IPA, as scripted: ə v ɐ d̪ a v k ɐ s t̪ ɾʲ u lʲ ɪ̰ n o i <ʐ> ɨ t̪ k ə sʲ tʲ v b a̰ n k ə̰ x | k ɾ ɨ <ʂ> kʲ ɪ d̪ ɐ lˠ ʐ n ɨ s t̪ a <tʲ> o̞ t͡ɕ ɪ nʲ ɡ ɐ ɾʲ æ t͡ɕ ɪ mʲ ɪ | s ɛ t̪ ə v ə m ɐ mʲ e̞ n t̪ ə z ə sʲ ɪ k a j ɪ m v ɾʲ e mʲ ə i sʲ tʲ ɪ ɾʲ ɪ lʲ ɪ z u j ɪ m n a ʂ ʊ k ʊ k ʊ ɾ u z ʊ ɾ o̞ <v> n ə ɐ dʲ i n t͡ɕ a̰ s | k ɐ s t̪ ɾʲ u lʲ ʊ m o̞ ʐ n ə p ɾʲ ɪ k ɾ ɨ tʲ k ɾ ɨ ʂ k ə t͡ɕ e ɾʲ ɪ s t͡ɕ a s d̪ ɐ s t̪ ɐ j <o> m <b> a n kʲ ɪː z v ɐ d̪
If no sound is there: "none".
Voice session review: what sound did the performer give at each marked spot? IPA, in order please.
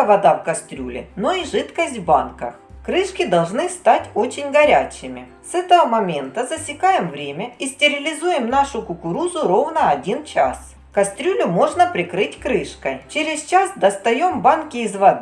ʐ, ʂ, tʲ, v, o, b

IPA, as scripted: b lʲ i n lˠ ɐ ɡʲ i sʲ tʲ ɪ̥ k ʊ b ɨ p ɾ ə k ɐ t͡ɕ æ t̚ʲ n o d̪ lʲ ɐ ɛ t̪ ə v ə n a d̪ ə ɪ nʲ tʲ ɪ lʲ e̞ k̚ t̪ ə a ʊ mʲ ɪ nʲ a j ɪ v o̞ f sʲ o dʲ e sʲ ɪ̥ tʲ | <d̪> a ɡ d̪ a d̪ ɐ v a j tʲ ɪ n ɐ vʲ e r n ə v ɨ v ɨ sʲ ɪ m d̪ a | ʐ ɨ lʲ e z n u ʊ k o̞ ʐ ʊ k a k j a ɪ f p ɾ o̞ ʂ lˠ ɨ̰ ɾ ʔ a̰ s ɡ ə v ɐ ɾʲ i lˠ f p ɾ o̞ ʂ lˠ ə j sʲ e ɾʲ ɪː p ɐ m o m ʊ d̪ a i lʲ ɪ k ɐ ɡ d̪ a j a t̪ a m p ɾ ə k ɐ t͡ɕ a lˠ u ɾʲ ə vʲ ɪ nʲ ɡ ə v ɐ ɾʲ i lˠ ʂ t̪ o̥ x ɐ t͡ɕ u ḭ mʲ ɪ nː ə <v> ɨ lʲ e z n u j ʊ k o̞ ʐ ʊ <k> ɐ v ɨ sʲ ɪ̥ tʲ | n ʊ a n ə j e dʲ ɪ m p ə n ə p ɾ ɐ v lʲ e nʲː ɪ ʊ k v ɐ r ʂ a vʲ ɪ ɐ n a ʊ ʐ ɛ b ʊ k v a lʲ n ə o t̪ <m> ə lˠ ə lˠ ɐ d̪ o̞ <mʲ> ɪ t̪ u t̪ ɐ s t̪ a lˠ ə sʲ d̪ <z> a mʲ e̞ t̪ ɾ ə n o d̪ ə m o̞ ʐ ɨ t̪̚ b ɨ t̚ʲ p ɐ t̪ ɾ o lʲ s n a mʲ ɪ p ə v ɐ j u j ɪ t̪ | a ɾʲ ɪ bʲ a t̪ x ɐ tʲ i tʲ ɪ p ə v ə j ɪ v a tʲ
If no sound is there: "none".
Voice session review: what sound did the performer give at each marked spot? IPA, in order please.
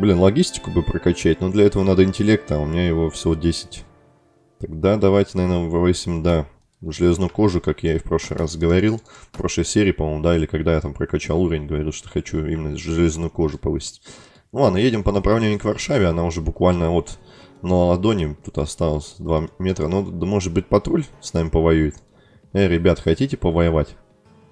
t̪, ʐ, p, n, nʲ, v

